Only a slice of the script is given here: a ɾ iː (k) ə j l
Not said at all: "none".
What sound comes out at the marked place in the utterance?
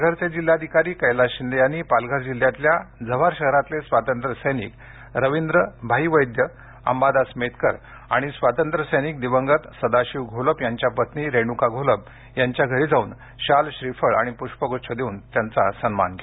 k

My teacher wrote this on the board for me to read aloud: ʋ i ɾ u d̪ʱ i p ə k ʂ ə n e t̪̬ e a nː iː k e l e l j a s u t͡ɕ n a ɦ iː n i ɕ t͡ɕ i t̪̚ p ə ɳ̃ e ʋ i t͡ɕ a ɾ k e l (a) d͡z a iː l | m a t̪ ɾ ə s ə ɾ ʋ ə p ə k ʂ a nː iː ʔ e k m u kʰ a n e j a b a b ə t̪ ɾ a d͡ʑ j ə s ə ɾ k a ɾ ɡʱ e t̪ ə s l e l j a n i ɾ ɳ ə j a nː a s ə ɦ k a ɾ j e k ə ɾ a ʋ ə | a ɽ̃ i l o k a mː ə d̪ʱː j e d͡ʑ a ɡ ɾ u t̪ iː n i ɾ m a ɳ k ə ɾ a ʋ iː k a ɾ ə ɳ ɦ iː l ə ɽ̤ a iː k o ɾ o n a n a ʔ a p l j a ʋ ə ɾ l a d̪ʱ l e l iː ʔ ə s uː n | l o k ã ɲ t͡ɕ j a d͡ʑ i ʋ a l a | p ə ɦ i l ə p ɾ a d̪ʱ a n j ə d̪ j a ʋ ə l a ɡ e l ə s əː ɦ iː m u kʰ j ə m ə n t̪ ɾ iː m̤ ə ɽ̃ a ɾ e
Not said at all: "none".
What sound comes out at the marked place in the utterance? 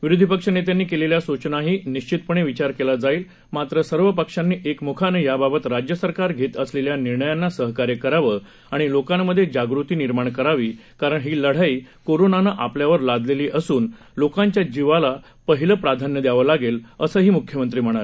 a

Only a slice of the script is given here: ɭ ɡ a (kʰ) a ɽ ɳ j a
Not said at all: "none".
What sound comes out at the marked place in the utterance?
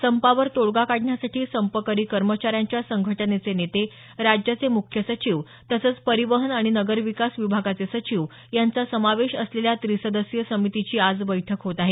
k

